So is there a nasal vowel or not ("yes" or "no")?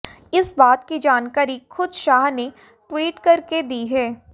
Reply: no